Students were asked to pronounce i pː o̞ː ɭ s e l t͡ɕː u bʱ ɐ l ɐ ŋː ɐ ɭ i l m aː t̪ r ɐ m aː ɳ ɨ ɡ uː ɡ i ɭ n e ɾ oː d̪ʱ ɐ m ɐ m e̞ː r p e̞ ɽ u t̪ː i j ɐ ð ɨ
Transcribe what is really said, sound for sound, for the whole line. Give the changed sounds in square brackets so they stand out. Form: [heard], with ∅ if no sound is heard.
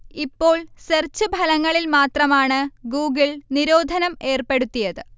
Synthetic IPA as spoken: i pː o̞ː ɭ s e [r] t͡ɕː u bʱ ɐ l ɐ ŋː ɐ ɭ i l m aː t̪ r ɐ m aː ɳ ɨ ɡ uː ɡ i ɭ n [i] ɾ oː d̪ʱ ɐ [n] ɐ m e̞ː r p e̞ ɽ u t̪ː i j ɐ ð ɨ